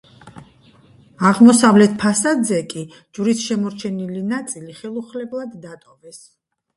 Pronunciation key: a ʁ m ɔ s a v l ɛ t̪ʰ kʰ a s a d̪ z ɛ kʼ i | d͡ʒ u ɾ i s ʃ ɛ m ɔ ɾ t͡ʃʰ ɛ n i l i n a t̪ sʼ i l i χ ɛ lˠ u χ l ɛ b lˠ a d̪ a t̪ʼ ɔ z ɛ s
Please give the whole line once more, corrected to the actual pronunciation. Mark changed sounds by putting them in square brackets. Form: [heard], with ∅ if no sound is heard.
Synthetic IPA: a ʁ m ɔ s a v l ɛ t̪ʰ [pʰ] a s a d̪ z ɛ kʼ i | d͡ʒ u ɾ i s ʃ ɛ m ɔ ɾ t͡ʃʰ ɛ n i l i n a t̪ sʼ i l i χ ɛ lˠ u χ l ɛ b lˠ a [d̪ː] a t̪ʼ ɔ [v] ɛ s